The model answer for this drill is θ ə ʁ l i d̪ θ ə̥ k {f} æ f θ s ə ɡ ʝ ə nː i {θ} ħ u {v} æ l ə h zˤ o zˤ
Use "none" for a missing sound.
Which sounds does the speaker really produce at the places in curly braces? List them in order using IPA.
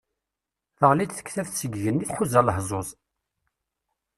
θ, θ, z

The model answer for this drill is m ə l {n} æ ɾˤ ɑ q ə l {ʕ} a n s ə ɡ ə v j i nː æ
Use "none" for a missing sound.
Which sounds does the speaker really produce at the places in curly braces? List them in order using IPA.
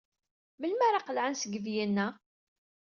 m, ʕ

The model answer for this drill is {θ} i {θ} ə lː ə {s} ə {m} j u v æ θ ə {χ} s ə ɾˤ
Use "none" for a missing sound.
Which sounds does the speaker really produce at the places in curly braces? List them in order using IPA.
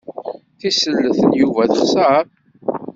θ, s, θ, n, χ

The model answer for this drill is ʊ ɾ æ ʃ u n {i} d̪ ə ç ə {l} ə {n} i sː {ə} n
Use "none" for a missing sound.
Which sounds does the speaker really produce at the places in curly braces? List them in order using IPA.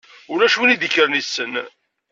i, ɾ, n, ə

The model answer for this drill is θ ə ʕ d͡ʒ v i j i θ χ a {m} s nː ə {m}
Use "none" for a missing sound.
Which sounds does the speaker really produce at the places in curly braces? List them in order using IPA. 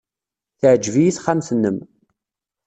m, m

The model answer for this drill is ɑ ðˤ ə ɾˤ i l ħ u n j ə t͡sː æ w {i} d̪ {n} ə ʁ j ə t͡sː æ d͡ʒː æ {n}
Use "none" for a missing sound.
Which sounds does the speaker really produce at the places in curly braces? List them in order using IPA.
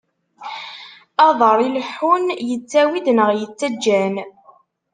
i, n, n

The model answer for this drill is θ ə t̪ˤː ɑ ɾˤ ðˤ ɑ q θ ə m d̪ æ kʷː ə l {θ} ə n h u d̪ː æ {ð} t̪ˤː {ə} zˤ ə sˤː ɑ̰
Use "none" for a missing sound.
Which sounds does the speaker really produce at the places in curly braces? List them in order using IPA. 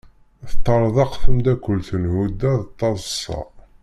θ, ð, ɑ

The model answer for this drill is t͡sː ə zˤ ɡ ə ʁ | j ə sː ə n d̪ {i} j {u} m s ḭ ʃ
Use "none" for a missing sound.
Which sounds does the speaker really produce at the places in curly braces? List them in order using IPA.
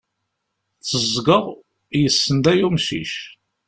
æ, u

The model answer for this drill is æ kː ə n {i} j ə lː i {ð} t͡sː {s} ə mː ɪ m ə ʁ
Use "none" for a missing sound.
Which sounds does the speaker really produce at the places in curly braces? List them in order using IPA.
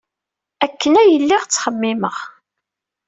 æ, ʁ, χ

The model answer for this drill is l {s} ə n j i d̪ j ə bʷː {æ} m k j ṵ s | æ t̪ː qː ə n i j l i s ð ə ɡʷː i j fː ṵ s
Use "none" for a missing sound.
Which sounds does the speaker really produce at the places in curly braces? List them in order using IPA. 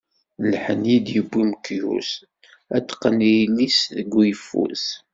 ħ, i

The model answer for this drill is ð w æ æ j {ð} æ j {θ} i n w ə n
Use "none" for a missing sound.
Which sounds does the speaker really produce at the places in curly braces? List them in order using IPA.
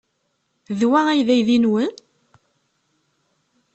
ð, ð

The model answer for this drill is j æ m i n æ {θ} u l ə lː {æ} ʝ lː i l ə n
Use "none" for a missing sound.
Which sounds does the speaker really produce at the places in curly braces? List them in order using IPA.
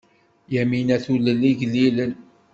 θ, i

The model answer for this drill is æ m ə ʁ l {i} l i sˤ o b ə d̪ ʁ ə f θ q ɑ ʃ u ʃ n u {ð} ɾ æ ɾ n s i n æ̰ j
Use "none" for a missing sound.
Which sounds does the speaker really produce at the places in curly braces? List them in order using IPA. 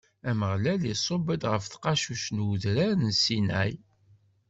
æ, ð

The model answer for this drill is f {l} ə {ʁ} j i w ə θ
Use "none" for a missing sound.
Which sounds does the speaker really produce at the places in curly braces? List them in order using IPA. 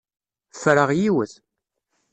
ɾ, ʁ

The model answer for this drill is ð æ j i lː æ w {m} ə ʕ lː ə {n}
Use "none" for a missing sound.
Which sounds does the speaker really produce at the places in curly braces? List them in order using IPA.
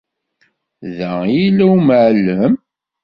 m, m

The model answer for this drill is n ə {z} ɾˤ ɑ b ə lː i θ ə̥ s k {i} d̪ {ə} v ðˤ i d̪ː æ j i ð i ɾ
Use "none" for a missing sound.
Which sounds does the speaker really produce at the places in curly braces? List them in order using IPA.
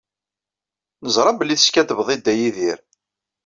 z, æ, ə

